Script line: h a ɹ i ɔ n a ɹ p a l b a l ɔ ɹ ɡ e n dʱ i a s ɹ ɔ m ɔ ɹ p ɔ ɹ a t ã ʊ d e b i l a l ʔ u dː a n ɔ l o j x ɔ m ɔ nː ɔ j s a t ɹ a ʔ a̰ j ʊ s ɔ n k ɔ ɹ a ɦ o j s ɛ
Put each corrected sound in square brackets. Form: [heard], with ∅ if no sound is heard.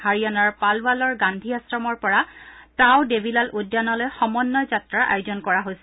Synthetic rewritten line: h a ɹ i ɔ n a ɹ p a l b a l ɔ ɹ ɡ [a] n dʱ i a s ɹ ɔ m ɔ ɹ p ɔ ɹ a t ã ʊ d e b i l a l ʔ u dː a n ɔ l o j x ɔ m ɔ nː ɔ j [z] a t ɹ a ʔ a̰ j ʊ [z] ɔ n k ɔ ɹ a ɦ o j s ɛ

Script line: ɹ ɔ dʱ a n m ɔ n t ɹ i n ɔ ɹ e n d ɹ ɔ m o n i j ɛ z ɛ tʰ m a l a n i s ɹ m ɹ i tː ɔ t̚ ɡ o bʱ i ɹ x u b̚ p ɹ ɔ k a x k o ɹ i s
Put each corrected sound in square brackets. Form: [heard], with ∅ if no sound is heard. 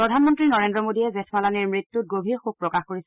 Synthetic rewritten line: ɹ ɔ dʱ a n m ɔ n t ɹ i n ɔ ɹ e n d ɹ ɔ m o [d] i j ɛ z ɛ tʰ m a l a n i [∅] ɹ m ɹ i tː [u] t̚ ɡ o bʱ i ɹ x u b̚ p ɹ ɔ k a x k o ɹ i s

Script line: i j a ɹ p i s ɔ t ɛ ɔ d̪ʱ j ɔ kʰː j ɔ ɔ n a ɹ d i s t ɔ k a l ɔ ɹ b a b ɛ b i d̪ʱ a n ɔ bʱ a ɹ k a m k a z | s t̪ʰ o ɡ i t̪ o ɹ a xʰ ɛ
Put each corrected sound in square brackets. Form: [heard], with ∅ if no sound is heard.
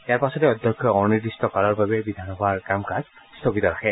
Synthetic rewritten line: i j a ɹ p [a] s ɔ t ɛ ɔ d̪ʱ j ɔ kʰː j ɔ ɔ n [i] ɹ d i s t ɔ k a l ɔ ɹ b a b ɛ b i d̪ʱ a n ɔ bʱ a ɹ k a m k a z | s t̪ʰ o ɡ i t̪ [ɔ] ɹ a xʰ ɛ

